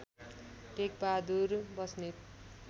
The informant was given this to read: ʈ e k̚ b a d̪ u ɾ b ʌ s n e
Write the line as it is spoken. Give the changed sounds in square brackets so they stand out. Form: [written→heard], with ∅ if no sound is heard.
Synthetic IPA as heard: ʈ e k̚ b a d̪ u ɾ b ʌ s n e